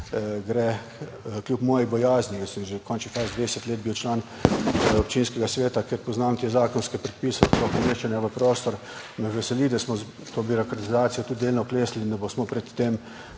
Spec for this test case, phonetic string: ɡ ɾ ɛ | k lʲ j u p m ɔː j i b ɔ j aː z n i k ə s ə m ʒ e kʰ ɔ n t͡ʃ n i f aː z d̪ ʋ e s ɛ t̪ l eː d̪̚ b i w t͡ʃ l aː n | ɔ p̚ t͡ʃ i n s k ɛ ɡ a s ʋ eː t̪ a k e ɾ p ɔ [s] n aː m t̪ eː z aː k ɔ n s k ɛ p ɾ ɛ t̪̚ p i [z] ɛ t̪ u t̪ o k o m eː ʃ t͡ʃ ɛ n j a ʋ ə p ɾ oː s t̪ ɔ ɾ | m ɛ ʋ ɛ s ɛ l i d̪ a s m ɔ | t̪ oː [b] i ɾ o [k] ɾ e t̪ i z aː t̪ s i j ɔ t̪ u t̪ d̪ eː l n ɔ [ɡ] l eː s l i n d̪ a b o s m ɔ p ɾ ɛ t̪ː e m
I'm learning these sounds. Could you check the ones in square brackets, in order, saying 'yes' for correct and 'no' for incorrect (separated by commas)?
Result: no, no, yes, yes, no